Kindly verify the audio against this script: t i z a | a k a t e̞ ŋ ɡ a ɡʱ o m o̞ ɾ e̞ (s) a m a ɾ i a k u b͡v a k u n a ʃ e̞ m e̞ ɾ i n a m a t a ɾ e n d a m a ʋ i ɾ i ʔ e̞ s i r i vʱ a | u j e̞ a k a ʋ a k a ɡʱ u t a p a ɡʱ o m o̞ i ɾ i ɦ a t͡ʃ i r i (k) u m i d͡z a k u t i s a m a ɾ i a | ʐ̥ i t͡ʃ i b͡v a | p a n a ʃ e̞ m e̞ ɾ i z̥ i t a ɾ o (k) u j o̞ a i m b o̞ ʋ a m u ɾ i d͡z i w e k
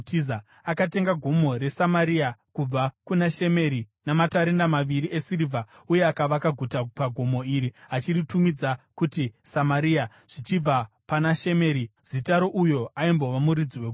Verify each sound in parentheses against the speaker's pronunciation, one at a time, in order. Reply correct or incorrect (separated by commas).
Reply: correct, incorrect, incorrect